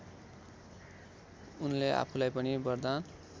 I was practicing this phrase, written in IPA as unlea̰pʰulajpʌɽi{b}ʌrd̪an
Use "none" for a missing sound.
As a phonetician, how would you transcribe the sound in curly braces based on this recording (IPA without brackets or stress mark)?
b